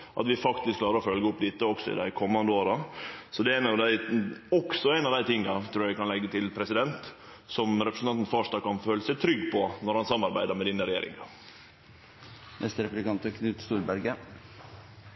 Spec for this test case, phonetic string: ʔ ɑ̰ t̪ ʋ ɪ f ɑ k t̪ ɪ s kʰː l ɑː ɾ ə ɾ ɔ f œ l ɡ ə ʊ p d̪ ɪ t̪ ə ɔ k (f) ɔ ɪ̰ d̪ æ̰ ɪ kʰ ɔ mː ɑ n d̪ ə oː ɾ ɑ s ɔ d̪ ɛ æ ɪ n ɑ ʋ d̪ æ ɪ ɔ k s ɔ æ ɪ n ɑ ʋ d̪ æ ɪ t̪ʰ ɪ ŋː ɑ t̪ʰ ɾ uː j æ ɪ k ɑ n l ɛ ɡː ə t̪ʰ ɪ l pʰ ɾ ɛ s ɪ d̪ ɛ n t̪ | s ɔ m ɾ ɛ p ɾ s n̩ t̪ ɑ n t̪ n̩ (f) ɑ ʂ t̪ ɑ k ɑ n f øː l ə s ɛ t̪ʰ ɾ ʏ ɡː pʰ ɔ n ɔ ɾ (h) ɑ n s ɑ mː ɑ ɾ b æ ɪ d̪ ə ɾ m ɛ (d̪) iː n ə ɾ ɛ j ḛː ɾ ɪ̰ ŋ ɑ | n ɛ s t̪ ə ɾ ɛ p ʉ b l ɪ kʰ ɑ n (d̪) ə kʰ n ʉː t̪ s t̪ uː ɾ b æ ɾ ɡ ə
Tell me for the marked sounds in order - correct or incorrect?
incorrect: s, correct, correct, correct, incorrect: t̪

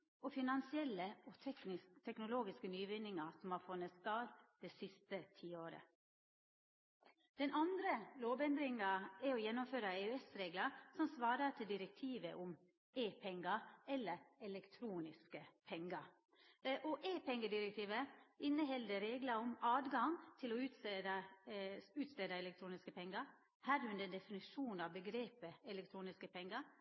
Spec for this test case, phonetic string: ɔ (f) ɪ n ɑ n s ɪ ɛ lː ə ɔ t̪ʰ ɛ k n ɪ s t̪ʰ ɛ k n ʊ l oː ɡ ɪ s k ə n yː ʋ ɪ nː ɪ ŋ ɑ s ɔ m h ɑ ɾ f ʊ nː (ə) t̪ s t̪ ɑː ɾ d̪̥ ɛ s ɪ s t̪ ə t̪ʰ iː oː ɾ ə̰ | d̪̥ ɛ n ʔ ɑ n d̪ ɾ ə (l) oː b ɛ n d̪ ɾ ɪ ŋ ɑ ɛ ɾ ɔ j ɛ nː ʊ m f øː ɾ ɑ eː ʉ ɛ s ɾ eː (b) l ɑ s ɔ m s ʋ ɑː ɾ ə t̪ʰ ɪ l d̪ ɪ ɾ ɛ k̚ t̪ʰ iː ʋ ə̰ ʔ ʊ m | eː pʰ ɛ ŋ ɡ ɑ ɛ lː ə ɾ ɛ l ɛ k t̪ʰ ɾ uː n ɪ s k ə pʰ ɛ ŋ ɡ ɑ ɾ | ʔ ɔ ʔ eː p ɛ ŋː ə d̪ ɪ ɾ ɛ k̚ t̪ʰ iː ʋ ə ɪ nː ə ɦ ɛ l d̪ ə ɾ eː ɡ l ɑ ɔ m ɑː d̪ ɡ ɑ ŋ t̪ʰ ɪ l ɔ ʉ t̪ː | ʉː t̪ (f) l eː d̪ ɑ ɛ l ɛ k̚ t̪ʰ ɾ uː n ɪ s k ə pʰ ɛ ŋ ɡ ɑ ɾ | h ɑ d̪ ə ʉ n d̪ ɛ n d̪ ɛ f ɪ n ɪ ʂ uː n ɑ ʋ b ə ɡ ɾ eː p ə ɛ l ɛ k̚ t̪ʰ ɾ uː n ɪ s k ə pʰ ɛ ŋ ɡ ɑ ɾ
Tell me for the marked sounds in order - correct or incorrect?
correct, correct, correct, incorrect: ɡ, incorrect: s

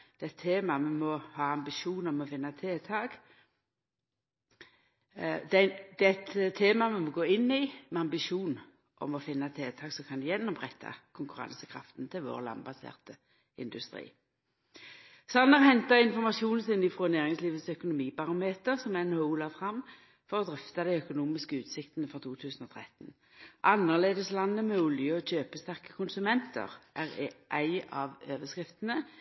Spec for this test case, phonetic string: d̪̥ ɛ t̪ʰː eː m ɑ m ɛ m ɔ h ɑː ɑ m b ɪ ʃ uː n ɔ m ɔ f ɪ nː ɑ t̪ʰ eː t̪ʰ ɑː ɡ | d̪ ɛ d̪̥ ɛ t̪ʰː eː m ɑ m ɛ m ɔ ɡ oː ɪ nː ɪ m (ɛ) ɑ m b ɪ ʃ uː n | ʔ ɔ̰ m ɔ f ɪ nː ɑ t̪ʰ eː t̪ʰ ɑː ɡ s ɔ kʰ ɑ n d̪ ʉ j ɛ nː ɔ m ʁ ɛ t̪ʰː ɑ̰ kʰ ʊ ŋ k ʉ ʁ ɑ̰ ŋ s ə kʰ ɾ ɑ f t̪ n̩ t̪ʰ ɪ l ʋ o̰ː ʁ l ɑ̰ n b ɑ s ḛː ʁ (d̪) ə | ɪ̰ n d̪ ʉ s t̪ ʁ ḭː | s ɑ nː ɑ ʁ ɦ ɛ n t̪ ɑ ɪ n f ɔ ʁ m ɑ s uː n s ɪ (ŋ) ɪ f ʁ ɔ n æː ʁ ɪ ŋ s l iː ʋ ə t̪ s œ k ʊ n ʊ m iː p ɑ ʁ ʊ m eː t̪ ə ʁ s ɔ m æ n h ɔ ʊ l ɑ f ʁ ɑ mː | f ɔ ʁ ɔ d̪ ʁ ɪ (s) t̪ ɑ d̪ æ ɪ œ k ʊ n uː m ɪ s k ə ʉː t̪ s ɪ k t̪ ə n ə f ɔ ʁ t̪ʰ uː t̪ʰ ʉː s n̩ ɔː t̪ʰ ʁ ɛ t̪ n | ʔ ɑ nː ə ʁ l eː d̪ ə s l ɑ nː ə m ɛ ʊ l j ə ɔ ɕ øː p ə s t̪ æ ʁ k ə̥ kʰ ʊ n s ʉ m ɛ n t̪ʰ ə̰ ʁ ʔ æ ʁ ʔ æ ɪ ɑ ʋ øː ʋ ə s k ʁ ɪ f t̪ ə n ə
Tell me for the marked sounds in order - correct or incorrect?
correct, incorrect: t̪, incorrect: n, incorrect: f

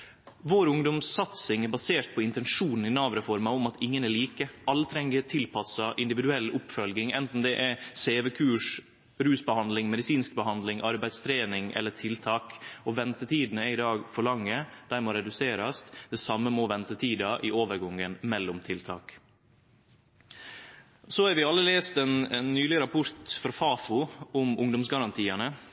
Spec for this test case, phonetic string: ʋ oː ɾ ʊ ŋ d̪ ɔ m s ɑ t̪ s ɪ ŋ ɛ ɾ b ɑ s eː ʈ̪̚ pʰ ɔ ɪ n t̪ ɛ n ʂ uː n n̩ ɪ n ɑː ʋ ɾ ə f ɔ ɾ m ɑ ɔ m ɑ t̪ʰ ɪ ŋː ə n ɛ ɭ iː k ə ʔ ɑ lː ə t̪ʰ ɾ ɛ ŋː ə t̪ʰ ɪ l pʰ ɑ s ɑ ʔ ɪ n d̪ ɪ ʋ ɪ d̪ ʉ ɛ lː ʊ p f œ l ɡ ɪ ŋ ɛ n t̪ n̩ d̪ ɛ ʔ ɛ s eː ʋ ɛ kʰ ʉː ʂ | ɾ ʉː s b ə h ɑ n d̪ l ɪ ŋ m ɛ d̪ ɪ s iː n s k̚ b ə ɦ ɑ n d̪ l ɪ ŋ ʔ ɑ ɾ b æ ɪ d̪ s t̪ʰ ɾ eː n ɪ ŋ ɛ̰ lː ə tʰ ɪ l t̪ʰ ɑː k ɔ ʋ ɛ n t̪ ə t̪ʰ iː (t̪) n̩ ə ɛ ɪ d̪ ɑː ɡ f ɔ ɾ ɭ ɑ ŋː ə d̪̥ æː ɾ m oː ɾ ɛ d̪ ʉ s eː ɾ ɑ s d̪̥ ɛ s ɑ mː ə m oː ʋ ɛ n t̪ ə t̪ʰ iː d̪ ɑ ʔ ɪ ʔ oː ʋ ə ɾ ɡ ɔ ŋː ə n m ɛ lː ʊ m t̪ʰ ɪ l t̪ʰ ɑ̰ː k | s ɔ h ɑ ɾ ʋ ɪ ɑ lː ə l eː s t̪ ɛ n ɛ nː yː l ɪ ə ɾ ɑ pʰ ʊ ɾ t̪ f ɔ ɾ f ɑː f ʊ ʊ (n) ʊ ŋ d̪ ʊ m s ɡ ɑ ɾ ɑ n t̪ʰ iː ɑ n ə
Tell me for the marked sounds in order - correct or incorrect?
incorrect: d̪, incorrect: m

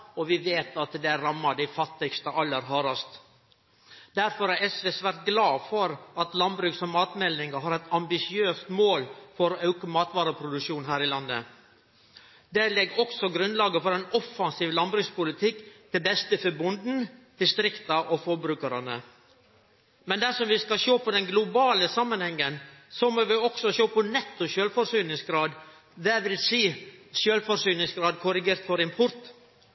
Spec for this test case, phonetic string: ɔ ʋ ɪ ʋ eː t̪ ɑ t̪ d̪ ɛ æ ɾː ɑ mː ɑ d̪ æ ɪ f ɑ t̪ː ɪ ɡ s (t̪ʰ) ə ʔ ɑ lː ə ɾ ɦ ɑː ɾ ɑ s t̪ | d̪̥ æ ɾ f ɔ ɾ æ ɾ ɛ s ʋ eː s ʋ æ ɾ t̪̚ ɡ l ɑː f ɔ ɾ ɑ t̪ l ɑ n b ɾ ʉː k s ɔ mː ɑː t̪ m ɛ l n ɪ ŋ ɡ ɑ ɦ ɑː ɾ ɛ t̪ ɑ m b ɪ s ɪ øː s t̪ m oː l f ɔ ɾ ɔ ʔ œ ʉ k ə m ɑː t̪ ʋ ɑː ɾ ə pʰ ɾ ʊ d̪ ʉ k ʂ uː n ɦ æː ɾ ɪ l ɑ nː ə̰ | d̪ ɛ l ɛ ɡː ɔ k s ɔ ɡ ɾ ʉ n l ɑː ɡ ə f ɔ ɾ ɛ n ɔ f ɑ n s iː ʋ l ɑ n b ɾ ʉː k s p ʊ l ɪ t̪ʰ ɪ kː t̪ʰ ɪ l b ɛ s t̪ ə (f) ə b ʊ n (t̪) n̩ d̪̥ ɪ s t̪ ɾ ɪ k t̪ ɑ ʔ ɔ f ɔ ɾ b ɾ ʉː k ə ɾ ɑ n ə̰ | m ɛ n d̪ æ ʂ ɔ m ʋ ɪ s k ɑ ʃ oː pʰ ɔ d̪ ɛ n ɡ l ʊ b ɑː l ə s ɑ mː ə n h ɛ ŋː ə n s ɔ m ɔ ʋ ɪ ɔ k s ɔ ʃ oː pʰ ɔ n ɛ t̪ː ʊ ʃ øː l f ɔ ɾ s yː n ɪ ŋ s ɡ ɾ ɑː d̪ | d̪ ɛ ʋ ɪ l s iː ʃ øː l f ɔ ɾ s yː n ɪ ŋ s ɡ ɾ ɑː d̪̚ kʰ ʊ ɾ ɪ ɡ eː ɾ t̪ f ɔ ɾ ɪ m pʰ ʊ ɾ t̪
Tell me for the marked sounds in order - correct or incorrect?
incorrect: t̪, correct, incorrect: d̪

